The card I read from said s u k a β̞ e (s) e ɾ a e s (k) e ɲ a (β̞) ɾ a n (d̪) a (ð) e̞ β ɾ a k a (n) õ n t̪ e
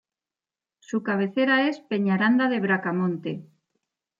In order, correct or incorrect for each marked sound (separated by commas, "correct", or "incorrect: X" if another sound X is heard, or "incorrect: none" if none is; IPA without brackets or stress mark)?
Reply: incorrect: θ, incorrect: p, incorrect: none, correct, correct, incorrect: m